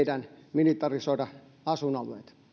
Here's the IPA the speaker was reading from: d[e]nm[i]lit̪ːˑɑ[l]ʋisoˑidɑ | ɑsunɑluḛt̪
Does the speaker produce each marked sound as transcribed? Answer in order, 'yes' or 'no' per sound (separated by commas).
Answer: no, yes, no